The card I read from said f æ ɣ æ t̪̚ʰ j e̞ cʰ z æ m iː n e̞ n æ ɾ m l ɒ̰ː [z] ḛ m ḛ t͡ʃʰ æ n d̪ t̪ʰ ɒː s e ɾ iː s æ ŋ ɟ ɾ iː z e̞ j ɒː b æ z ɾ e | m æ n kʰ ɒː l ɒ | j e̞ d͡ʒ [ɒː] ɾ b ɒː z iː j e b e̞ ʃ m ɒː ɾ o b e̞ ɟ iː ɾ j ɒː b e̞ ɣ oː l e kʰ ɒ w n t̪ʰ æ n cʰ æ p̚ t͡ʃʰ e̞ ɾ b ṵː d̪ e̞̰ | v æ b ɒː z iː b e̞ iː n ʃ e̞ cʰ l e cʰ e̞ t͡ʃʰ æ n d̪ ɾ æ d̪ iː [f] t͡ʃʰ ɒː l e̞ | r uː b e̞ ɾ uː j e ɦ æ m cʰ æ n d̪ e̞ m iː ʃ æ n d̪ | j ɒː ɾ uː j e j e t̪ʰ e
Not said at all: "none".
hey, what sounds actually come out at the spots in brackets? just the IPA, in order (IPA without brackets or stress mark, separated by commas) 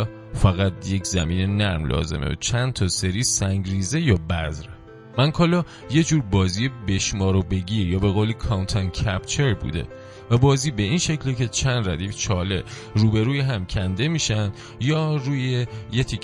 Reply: z, uː, f